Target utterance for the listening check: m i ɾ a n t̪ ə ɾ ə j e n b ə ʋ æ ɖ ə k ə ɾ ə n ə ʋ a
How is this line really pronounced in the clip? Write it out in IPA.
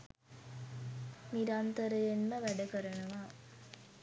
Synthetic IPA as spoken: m i ɾ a n t̪ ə ɾ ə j e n m ə ʋ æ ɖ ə k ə ɾ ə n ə ʋ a